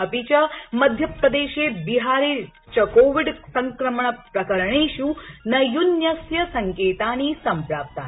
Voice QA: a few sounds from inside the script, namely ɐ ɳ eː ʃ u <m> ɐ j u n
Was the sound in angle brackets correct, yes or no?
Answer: no